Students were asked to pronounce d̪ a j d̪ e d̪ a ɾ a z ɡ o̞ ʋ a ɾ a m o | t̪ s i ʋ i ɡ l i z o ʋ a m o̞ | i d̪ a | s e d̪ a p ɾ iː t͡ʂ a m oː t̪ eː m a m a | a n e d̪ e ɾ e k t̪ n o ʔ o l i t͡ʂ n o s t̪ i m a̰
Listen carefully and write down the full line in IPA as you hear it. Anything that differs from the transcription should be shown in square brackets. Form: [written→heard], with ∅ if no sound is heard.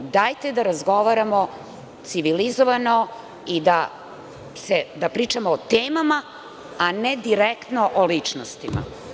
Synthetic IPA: d̪ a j [d̪→t̪] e d̪ a ɾ a z ɡ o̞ ʋ a ɾ a m o | t̪ s i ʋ i [ɡ→∅] l i z o ʋ a [m→n] o̞ | i d̪ a | s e d̪ a p ɾ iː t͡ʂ a m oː t̪ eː m a m a | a n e d̪ [e→i] ɾ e k t̪ n o ʔ o l i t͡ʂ n o s t̪ i m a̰